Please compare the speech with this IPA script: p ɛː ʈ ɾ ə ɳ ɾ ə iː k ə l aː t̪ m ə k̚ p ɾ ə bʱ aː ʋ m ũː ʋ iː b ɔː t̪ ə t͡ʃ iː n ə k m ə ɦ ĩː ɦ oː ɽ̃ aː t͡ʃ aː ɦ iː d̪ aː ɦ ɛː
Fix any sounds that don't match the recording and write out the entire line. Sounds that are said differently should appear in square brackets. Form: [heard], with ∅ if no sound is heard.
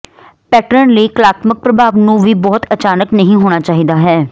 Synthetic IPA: p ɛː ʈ ɾ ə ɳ [l] ə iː k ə l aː t̪ m ə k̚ p ɾ ə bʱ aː ʋ [n] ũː ʋ iː b ɔː t̪ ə t͡ʃ [aː] n ə k [n] ə ɦ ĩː ɦ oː ɽ̃ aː t͡ʃ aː ɦ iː d̪ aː ɦ ɛː

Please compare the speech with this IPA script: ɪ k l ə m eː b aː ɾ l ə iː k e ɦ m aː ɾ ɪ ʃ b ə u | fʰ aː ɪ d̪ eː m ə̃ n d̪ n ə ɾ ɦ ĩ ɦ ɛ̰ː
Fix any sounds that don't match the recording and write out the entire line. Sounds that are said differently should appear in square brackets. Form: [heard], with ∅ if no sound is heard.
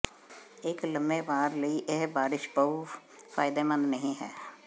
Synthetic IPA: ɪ k l ə m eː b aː ɾ l ə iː [ʔ] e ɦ [b] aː ɾ ɪ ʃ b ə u | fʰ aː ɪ d̪ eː m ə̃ n d̪ n ə [∅] ɦ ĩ ɦ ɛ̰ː

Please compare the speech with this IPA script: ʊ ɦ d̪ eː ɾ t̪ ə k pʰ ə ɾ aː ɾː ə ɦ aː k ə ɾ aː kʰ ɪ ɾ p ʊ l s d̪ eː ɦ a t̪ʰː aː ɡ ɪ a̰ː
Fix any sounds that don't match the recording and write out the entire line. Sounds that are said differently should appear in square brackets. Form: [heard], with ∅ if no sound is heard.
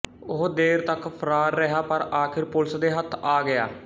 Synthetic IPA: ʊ ɦ d̪ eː ɾ t̪ ə k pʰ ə ɾ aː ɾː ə ɦ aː [p] ə ɾ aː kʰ ɪ ɾ p ʊ l s d̪ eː ɦ [ə] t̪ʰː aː ɡ ɪ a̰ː

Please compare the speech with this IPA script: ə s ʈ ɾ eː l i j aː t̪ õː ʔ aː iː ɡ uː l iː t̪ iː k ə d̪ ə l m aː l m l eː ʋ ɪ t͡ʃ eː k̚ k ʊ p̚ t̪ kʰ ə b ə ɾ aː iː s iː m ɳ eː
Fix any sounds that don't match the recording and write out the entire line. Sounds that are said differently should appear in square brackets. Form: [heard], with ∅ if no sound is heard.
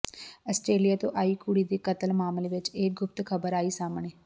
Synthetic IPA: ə s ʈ ɾ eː l i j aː t̪ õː ʔ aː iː [k] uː [ɽ] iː [d̪] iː k ə [t̪] ə l m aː [∅] m l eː ʋ ɪ t͡ʃ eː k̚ [ɡ] ʊ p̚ t̪ kʰ ə b ə ɾ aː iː s [aː] m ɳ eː

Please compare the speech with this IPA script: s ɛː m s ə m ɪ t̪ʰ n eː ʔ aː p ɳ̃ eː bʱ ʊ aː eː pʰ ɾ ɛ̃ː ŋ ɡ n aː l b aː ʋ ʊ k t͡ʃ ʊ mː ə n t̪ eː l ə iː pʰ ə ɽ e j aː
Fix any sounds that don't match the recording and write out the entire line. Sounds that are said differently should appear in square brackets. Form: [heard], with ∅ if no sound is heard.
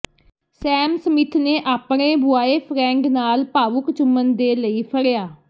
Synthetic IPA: s ɛː m s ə m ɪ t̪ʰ n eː ʔ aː p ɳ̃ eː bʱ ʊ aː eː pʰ ɾ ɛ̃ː ŋ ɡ n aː l [p] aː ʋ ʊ k t͡ʃ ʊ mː ə n [d̪] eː l ə iː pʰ ə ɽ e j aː

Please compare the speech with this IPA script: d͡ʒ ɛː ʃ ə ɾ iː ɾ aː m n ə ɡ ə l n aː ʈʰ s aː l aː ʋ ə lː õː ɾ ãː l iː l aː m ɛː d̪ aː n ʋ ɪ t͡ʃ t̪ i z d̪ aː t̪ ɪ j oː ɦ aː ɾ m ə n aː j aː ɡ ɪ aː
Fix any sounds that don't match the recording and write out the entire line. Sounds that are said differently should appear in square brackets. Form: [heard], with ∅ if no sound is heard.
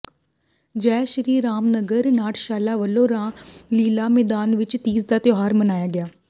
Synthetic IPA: d͡ʒ ɛː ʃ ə ɾ iː ɾ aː m n ə ɡ ə [ɾ] n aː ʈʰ [ʃ] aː l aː ʋ ə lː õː ɾ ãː l iː l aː m ɛː d̪ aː n ʋ ɪ t͡ʃ t̪ [iː] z d̪ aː t̪ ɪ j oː ɦ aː ɾ m ə n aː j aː ɡ ɪ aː

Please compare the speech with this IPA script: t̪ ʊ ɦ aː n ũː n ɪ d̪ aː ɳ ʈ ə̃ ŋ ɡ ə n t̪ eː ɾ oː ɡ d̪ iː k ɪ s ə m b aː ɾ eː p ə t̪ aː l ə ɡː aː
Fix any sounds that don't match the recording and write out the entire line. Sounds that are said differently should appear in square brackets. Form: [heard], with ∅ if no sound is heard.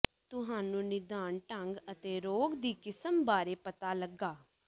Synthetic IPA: t̪ ʊ ɦ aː n ũː n ɪ d̪ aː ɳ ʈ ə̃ ŋ ɡ ə [∅] t̪ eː ɾ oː ɡ d̪ iː k ɪ s ə m b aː ɾ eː p ə t̪ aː l ə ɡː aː

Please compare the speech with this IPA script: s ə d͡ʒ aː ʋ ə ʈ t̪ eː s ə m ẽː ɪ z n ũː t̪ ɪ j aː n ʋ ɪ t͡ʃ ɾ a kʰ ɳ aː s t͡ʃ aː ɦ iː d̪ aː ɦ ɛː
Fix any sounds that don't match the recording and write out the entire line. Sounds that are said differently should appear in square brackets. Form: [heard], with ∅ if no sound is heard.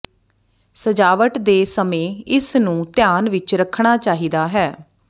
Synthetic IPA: s ə d͡ʒ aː ʋ ə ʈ [d̪] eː s ə m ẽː ɪ [s] n ũː t̪ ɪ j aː n ʋ ɪ t͡ʃ ɾ [ə] kʰ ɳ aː [∅] t͡ʃ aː ɦ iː d̪ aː ɦ ɛː

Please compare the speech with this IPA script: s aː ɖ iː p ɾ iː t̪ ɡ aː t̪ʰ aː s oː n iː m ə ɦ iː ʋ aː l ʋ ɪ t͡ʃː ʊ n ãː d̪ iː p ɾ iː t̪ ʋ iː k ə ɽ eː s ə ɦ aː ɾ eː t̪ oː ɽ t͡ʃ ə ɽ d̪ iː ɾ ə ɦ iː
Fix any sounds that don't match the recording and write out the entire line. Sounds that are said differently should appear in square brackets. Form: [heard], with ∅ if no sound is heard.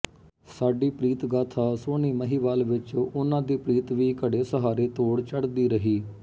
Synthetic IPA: s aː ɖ iː p ɾ iː t̪ ɡ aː t̪ʰ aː s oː n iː m ə ɦ iː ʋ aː l ʋ ɪ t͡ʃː ʊ n ãː d̪ iː p ɾ iː t̪ ʋ iː k ə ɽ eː s ə ɦ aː ɾ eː t̪ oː ɽ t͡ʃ ə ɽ d̪ iː ɾ ə ɦ iː

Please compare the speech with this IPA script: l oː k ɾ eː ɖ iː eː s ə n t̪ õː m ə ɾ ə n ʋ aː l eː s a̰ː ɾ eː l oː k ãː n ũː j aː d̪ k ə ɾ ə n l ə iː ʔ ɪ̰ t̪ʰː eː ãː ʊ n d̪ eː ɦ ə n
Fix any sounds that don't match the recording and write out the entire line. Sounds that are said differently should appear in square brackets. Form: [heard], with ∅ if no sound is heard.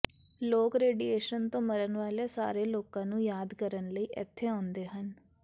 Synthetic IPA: l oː k ɾ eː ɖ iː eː [ʃ] ə n t̪ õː m ə ɾ ə n ʋ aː l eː s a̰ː ɾ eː l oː k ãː n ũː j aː d̪ k ə ɾ ə n l ə iː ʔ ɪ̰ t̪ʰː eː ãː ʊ n d̪ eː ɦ ə n

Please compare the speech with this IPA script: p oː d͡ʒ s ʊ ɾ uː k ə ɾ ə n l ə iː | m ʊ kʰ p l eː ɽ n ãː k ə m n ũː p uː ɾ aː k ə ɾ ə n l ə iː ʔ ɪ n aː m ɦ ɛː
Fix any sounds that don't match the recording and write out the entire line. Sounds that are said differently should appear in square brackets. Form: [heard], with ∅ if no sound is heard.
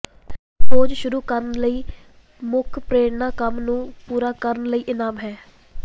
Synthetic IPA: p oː d͡ʒ [ʃ] ʊ ɾ uː k ə ɾ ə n l ə iː | m ʊ kʰ p [ɾ] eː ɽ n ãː k ə m n ũː p uː ɾ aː k ə ɾ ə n l ə iː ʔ ɪ n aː m ɦ ɛː

